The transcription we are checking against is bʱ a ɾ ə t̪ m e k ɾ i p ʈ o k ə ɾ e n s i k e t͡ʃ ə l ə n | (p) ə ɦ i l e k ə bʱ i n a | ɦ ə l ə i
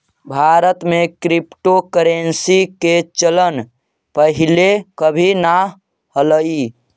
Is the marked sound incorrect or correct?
correct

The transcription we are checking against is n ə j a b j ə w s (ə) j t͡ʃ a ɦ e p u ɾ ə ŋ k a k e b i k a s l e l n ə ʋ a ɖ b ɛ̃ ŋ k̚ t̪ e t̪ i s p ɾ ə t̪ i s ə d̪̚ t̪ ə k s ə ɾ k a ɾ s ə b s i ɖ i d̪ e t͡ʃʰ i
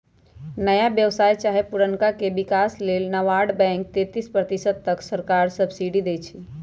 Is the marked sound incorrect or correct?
incorrect: a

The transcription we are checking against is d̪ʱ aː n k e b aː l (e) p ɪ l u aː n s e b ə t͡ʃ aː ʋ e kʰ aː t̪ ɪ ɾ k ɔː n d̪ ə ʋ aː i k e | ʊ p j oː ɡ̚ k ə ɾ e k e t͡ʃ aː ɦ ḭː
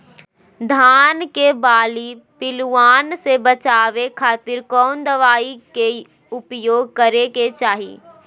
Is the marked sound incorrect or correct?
incorrect: i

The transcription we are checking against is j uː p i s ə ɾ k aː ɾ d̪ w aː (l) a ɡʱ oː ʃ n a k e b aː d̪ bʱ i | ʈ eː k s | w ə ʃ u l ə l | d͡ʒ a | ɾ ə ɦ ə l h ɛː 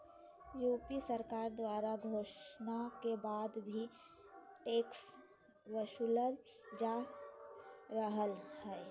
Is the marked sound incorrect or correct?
incorrect: ɾ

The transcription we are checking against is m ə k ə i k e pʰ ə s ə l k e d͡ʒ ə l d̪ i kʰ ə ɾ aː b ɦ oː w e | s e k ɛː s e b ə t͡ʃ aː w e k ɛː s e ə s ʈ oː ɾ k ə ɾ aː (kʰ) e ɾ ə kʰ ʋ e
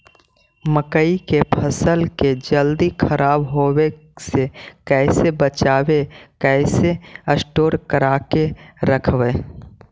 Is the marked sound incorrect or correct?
incorrect: k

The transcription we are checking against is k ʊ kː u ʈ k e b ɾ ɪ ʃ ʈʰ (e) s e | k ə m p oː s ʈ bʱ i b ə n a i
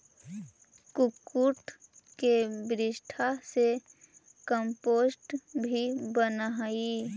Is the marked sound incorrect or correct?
incorrect: a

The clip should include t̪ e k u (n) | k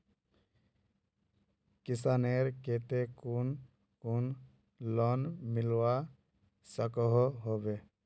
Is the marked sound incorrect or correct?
correct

